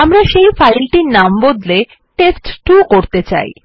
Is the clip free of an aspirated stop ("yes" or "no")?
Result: yes